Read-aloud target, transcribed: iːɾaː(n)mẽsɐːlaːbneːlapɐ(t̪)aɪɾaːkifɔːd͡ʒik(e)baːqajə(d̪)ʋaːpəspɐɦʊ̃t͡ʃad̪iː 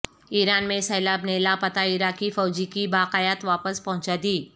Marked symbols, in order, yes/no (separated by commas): yes, yes, no, no